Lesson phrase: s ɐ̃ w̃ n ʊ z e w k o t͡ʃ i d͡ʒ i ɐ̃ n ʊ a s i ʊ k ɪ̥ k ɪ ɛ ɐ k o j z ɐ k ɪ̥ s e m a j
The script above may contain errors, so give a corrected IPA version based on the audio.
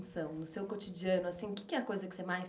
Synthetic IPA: s ɐ̃ w̃ n ʊ s e w k o t͡ʃ i d͡ʒ i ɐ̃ n ʊ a s ĩ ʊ k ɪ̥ k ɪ ɛ ɐ k o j z ɐ k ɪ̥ s e m a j